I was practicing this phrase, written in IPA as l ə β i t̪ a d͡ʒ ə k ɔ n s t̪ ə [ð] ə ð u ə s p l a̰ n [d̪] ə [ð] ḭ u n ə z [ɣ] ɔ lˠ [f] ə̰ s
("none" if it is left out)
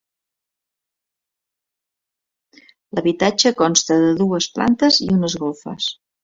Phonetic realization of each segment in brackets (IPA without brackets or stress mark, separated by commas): ð, t̪, z, ɣ, f